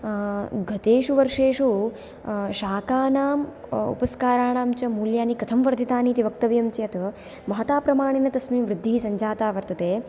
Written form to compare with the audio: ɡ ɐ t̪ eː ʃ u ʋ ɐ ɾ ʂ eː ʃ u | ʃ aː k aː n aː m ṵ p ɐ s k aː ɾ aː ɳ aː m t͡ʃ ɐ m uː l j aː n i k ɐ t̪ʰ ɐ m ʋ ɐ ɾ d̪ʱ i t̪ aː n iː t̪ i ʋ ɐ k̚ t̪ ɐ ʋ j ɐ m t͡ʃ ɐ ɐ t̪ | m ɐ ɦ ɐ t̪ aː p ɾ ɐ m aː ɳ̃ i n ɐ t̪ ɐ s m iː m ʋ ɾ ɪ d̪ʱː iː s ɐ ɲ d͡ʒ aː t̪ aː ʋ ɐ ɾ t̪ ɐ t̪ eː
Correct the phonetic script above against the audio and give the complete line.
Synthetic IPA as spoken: ɡ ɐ t̪ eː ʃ u ʋ ɐ ɾ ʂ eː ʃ u | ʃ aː k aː n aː m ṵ p ɐ s k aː ɾ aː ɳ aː m t͡ʃ ɐ m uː l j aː n i k ɐ t̪ʰ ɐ m ʋ ɐ ɾ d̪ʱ i t̪ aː n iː t̪ i ʋ ɐ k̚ t̪ ɐ ʋ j ɐ m t͡ʃ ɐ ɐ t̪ | m ɐ ɦ ɐ t̪ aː p ɾ ɐ m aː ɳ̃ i n ɐ t̪ ɐ s m iː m ʋ ɾ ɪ d̪ʱː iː s ɐ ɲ d͡ʒ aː t̪ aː ʋ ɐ ɾ t̪ ɐ t̪ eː